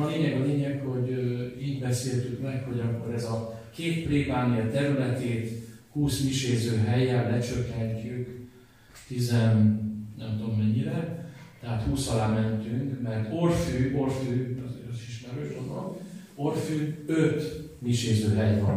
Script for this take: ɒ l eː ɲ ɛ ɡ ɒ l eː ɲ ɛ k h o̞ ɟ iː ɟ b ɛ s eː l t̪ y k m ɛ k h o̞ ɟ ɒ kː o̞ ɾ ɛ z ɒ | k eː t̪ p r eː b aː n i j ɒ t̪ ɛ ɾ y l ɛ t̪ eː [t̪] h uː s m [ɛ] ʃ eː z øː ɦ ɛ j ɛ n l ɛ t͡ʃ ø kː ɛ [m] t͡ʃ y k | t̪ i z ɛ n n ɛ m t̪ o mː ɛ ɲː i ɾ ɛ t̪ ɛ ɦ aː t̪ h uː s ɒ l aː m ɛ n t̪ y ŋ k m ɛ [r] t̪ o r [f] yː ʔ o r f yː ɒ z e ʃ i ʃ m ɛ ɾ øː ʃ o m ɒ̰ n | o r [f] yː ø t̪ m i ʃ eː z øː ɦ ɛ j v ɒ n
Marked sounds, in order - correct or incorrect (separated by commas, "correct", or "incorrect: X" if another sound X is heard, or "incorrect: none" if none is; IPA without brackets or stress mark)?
correct, incorrect: i, incorrect: ɲ, correct, correct, correct